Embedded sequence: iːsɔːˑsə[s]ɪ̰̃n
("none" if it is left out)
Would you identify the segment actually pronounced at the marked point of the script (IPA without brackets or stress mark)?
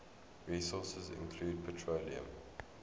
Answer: z